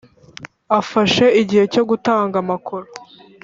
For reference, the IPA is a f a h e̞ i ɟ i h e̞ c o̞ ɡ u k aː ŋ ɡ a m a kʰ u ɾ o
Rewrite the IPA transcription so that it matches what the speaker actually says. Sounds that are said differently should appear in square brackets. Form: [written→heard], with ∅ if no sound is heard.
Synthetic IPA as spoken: a f a [h→ʃ] e̞ i ɟ i h e̞ c o̞ ɡ u [k→t] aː ŋ ɡ a m a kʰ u ɾ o